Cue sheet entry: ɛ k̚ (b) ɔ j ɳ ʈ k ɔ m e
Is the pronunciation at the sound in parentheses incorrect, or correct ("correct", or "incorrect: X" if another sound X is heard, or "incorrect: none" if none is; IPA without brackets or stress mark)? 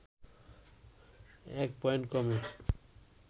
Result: incorrect: p